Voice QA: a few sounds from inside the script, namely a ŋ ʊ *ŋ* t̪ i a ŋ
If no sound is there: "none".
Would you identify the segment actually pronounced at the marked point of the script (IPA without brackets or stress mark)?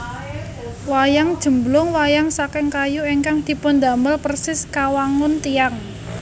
n